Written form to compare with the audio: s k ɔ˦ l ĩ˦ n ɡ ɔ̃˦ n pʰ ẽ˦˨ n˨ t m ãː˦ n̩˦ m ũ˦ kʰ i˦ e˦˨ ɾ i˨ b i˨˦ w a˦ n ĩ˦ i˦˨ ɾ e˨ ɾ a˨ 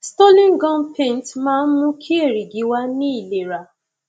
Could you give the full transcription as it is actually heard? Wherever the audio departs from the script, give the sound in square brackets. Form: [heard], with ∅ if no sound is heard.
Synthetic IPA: s [t] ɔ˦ l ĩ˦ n ɡ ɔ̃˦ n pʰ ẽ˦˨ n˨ t m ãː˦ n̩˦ m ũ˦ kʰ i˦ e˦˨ ɾ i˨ [ɡ] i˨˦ w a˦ n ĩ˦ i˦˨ [l] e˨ ɾ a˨